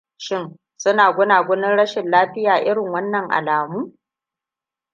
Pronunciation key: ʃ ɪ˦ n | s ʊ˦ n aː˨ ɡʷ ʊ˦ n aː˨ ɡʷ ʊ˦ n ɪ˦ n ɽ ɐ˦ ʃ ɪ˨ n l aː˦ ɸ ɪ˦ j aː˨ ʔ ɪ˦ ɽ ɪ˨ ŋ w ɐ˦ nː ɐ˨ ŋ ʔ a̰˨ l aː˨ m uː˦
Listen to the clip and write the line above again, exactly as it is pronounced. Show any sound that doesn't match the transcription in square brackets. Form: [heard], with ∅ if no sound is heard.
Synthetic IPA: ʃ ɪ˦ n | s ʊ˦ n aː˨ ɡʷ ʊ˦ n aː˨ ɡʷ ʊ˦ n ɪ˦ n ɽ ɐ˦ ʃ ɪ˨ n l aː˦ ɸ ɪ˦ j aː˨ ʔ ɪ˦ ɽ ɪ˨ ŋ w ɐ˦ nː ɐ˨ ŋ ʔ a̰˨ l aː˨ m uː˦